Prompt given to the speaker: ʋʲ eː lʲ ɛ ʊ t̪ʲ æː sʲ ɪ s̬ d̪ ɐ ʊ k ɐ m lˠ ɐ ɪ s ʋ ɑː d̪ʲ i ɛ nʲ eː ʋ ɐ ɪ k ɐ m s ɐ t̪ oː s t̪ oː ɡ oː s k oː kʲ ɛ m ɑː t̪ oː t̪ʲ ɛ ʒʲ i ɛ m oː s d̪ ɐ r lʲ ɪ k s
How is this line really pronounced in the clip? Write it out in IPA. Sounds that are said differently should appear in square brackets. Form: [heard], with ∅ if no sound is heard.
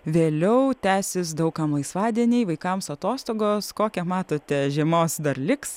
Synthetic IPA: ʋʲ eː lʲ ɛ ʊ t̪ʲ æː sʲ ɪ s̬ d̪ ɐ ʊ k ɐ m lˠ ɐ ɪ s ʋ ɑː d̪ʲ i ɛ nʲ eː ʋ ɐ ɪ k ɐ m s ɐ t̪ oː s t̪ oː ɡ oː s k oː kʲ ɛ m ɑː t̪ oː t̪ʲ ɛ ʒʲ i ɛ m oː s d̪ ɐ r lʲ ɪ k s